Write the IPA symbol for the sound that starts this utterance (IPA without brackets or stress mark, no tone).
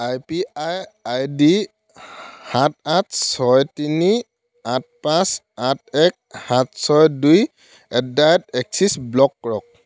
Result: a